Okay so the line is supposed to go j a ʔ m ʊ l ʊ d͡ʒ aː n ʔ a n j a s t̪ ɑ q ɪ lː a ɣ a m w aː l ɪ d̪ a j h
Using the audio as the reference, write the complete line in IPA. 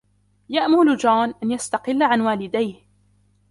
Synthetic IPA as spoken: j a ʔ m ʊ l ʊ d͡ʒ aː n ʔ a n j a s t̪ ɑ q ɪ lː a ʕ a n w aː l ɪ d̪ a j h

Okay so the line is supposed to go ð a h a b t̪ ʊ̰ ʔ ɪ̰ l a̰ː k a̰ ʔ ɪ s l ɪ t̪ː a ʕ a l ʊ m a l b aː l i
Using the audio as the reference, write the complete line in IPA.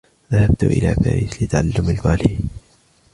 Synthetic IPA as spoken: ð a h a b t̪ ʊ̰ ʔ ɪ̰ l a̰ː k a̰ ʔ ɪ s l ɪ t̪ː a ʕ a lː ʊ m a l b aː l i

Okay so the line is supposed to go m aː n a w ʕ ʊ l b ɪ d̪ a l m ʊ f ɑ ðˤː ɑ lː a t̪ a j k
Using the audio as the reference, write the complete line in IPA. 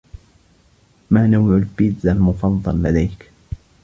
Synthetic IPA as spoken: m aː n a w ʕ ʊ l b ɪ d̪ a l m ʊ f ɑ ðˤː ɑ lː a d̪ a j k

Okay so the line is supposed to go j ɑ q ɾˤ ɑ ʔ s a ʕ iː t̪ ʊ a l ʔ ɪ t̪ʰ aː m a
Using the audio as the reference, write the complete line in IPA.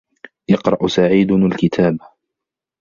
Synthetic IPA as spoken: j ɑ q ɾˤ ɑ ʔ s a ʕ iː d̪ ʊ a l k ɪ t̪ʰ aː b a

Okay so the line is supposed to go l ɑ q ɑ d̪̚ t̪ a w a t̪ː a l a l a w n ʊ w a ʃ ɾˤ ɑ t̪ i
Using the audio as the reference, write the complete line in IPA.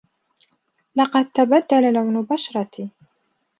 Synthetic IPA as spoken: l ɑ q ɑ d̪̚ t̪ a b a d̪ː a l a l a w n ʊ b a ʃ ɾˤ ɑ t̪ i

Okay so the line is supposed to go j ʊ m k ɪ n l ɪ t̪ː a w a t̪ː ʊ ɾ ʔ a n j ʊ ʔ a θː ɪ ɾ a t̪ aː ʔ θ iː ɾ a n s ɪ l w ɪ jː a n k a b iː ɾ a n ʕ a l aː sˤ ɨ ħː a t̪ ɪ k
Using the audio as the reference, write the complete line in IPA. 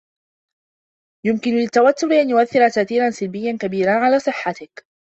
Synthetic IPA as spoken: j ʊ m k ɪ n l ɪ t̪ː a w a t̪ː ʊ ɾ ʔ a n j ʊ ʔ a θː ɪ ɾ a t̪ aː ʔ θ iː ɾ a n s ɪ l b ɪ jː a n k a b iː ɾ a n ʕ a l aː sˤ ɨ ħː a t̪ ɪ k

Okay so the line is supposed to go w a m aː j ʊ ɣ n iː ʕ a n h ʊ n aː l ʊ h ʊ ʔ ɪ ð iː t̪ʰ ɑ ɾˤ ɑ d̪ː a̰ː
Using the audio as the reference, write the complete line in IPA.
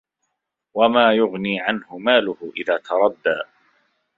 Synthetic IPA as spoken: w a m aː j ʊ ɣ n iː ʕ a n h ʊ m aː l ʊ h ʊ ʔ ɪ ð aː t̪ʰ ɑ ɾˤ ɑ d̪ː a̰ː

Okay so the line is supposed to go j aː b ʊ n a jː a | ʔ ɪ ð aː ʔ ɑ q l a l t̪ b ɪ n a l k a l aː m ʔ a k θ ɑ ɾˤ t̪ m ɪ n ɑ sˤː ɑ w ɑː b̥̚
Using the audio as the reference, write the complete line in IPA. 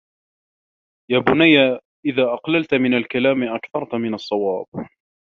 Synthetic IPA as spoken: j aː b ʊ n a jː a | ʔ ɪ ð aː ʔ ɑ q l a l t̪ m ɪ n a l k a l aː m ʔ a k θ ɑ ɾˤ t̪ m ɪ n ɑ sˤː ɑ w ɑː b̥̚

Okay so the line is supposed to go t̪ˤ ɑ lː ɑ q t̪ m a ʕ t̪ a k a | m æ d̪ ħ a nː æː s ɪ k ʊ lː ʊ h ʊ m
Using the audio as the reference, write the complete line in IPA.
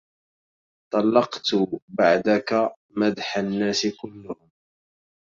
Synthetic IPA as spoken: t̪ˤ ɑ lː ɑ q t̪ b a ʕ d̪ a k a | m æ d̪ ħ a nː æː s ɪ k ʊ lː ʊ h ʊ m

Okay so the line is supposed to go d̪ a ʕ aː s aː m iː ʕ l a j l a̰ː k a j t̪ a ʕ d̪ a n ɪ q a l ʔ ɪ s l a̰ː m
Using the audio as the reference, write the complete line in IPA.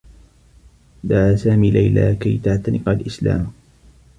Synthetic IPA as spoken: d̪ a ʕ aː s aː m iː l a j l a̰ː k a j t̪ a ʕ t̪ a n ɪ q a l ʔ ɪ s l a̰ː m

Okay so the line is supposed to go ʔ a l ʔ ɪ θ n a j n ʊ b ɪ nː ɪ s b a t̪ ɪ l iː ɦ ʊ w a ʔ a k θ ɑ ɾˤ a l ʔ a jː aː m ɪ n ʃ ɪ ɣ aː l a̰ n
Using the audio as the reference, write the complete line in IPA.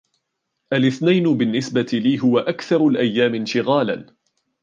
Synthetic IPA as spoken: ʔ a l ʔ ɪ θ n a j n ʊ b ɪ nː ɪ s b a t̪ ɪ l iː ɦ ʊ w a ʔ a k θ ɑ ɾˤ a l ʔ a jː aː m ɪ n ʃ ɪ ɣ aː l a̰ n

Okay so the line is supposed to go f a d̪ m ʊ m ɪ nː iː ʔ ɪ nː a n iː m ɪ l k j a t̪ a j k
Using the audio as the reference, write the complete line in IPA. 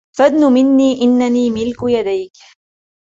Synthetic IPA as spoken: f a d̪ n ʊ m ɪ nː iː ʔ ɪ nː a n iː m ɪ l k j a d̪ a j k

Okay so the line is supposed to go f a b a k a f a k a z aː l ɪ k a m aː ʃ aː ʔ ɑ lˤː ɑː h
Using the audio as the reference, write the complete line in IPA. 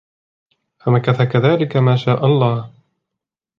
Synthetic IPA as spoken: f a m a k a θ a k a ð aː l ɪ k a m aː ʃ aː ʔ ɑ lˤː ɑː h

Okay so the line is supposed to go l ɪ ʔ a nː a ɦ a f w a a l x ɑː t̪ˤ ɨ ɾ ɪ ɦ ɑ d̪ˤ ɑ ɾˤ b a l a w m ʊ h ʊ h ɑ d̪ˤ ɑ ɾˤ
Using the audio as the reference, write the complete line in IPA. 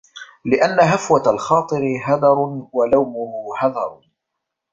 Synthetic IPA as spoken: l ɪ ʔ a nː a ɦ a f w a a l x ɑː t̪ˤ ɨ ɾ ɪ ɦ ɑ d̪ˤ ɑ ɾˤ w a l a w m ʊ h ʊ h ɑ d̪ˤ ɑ ɾˤ

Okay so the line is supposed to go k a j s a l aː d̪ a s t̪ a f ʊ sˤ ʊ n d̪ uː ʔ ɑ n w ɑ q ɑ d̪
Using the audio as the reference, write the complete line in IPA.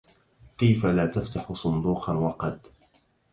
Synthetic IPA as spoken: k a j f a l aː t̪ a f t̪ a ħ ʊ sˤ ʊ n d̪ uː q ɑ n w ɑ q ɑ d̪

